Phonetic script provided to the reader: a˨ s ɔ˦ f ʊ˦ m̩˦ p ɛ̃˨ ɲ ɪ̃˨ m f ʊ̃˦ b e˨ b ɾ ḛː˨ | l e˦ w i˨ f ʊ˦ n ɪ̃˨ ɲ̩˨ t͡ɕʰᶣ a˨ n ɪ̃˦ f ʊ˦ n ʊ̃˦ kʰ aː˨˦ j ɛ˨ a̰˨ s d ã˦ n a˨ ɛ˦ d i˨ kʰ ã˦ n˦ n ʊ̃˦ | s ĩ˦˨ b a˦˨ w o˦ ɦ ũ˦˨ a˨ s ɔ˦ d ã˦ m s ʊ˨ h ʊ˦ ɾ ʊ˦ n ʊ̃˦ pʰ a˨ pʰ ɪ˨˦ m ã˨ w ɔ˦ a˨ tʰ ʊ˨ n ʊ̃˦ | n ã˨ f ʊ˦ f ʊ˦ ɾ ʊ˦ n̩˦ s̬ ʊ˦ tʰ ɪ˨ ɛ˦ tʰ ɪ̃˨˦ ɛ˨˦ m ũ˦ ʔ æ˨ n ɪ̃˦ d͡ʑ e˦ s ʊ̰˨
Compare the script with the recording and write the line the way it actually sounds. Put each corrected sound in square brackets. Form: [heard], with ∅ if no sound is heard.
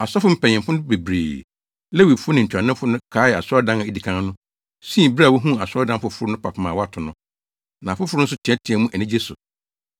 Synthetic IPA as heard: a˨ s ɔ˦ f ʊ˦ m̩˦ p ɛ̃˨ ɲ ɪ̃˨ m f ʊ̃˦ b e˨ b ɾ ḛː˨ | l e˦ w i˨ f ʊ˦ n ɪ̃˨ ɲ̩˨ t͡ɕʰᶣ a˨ n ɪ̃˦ f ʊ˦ n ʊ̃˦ kʰ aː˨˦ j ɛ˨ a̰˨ s d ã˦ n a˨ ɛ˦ d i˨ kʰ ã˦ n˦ n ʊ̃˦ | s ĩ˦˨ b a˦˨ w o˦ ɦ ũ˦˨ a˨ s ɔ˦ d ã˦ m [f] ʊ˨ [f] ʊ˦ ɾ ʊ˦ n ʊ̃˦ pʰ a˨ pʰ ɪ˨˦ m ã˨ w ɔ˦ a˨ tʰ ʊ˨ n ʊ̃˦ | n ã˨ f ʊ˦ f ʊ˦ ɾ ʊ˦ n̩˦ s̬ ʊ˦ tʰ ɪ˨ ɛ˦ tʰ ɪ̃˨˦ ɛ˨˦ m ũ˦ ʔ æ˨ n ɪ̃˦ d͡ʑ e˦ s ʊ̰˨